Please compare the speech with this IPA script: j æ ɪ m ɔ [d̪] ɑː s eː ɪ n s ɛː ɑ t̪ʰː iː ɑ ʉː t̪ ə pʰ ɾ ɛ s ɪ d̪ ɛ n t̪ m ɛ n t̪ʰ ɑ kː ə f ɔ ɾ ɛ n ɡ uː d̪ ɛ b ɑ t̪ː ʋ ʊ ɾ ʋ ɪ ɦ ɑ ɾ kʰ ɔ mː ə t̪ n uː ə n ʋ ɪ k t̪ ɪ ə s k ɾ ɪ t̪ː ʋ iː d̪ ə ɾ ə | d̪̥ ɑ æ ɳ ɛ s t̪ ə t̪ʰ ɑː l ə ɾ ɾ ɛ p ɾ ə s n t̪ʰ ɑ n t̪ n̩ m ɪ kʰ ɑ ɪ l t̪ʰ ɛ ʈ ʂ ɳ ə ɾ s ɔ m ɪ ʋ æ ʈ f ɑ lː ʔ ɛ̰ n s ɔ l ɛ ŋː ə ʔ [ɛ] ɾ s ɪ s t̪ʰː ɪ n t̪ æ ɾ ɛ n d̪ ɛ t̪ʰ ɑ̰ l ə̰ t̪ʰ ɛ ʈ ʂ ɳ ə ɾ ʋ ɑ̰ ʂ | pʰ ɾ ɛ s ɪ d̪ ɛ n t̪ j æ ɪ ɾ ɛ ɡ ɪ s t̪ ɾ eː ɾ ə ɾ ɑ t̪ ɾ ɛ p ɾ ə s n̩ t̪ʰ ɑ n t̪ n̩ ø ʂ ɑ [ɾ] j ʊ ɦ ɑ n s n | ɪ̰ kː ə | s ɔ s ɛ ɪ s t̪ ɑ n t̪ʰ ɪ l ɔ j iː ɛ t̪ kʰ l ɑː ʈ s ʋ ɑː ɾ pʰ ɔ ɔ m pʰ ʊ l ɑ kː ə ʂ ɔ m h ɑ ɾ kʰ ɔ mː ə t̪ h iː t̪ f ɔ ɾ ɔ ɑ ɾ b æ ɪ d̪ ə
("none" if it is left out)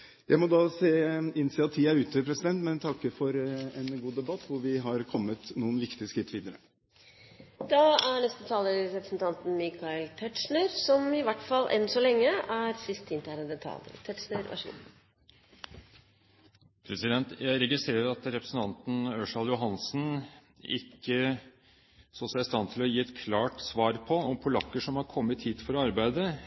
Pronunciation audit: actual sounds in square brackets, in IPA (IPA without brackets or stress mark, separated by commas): d̪, æ, l